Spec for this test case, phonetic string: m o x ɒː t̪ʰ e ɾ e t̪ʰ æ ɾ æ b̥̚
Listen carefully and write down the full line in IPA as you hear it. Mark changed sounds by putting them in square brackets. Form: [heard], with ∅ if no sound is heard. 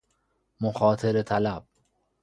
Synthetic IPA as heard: m o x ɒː t̪ʰ e ɾ e t̪ʰ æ [l] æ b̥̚